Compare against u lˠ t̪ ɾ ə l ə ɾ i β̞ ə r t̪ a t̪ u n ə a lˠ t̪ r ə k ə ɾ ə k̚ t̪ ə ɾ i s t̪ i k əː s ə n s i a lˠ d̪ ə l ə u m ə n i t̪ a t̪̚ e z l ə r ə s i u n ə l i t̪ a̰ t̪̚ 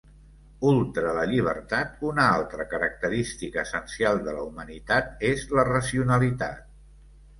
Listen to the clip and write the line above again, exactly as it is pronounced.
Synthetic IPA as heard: u lˠ t̪ ɾ ə l ə ʎ i β̞ ə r t̪ a t̪ u n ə a lˠ t̪ ɾ ə k ə ɾ ə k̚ t̪ ə ɾ i s t̪ i k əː s ə n s i a lˠ d̪ ə l ə u m ə n i t̪ a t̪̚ e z l ə r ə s i u n ə l i t̪ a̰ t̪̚

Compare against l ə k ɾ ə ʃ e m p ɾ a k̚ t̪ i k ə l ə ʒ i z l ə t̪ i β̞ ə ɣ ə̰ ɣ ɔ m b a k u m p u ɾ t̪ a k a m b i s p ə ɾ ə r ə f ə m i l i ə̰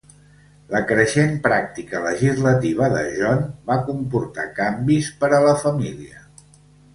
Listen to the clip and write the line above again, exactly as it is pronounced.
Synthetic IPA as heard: l ə k ɾ ə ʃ e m p ɾ a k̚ t̪ i k ə l ə ʒ i z l ə t̪ i β̞ ə ð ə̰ ʒ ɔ n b a k u m p u ɾ t̪ a k a m b i s p ə ɾ ə l ə f ə m i l i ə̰

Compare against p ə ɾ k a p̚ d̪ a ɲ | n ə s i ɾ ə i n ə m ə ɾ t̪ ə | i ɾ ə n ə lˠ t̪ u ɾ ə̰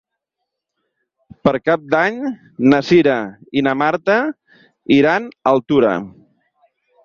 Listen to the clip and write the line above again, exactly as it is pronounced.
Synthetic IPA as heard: p ə ɾ k a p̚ d̪ a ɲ | n ə s i ɾ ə i n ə m a ɾ t̪ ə | i ɾ a n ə lˠ t̪ u ɾ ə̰

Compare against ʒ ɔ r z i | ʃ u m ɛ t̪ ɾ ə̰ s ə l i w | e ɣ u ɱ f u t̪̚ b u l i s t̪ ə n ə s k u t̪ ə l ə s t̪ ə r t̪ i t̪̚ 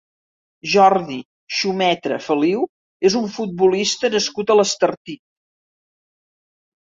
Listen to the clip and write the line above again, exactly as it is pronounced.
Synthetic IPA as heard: ʒ ɔ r ð i | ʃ u m ɛ t̪ ɾ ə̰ f ə l i w | e z u ɱ f u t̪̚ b u l i s t̪ ə n ə s k u t̪ ə l ə s t̪ ə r t̪ i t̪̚

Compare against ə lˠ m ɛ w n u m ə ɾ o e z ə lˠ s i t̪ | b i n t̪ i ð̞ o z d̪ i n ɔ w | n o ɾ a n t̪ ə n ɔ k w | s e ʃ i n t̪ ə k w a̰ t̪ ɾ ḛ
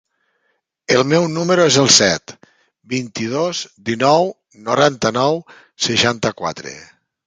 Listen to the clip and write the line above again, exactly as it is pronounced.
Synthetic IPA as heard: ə lˠ m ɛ w n u m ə ɾ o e z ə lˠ s ɛ t̪ | b i n t̪ i ð̞ o z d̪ i n ɔ w | n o ɾ a n t̪ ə n ɔ w | s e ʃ a n t̪ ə k w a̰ t̪ ɾ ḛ

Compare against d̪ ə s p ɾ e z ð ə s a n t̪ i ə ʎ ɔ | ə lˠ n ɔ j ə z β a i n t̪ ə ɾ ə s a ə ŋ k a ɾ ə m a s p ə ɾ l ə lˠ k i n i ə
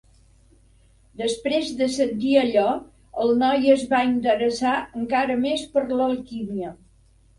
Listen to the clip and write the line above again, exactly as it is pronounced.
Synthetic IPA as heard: d̪ ə s p ɾ e z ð ə s ə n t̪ i ə ʎ ɔ | ə lˠ n ɔ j ə z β a i n t̪ ə ɾ ə s a ə ŋ k a ɾ ə m e s p ə ɾ l ə lˠ k i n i ə

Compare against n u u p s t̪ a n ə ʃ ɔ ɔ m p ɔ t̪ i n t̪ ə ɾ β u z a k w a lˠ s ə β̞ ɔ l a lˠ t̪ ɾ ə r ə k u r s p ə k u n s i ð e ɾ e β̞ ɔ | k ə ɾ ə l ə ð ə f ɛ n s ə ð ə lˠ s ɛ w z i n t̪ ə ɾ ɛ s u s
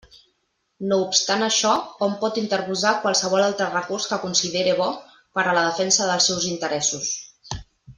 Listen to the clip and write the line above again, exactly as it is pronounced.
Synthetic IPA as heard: n o u p s t̪ a n ə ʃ ɔ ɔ m p ɔ t̪ i n t̪ ə ɾ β u z a k w a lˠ s ə β̞ ɔ l a lˠ t̪ ɾ ə r ə k u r s k ə k u n s i ð e ɾ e β̞ ɔ | p ə ɾ ə l ə ð ə f ɛ n s ə ð ə lˠ s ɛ w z i n t̪ ə ɾ ɛ s u s

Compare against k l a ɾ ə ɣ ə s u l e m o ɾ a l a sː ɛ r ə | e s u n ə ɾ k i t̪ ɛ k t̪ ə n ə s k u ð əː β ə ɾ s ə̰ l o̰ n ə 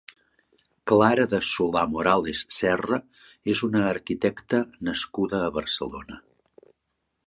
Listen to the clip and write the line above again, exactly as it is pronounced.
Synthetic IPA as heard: k l a ɾ ə ð ə s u l a m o ɾ a l e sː ɛ r ə | e z u n əː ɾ k i t̪ ɛ k t̪ ə n ə s k u ð əː β ə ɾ s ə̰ l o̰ n ə

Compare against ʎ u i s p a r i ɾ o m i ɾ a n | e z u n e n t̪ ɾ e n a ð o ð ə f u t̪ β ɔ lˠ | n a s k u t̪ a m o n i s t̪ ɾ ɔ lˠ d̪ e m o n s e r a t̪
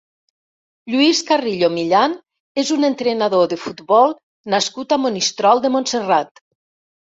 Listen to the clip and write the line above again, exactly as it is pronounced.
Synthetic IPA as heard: ʎ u i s k a r i ʎ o m i ʎ a n | e z u n e n t̪ ɾ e n a ð o ð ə f u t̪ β ɔ lˠ | n a s k u t̪ a m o n i s t̪ ɾ ɔ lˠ d̪ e m o n s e r a t̪

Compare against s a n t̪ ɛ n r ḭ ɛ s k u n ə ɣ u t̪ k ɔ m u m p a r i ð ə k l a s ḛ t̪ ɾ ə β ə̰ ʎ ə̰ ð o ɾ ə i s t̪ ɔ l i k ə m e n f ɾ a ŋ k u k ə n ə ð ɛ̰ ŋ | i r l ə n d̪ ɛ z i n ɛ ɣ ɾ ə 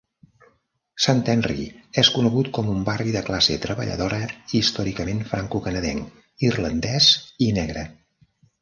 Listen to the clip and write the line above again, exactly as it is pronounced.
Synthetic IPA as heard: s a n t̪ ɛ n r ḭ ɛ s k u n ə ɣ u t̪ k ɔ m u m b a r i ð ə k l a s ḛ t̪ ɾ ə β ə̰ ʎ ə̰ ð o ɾ ə i s t̪ ɔ ɾ i k ə m e n f ɾ a ŋ k u k ə n ə ð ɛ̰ ŋ | i r l ə n d̪ ɛ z i n ɛ ɣ ɾ ə

